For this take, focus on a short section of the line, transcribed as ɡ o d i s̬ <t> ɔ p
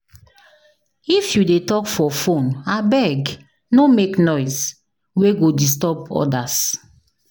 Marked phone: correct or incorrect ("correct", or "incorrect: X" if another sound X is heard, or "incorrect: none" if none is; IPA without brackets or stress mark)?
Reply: correct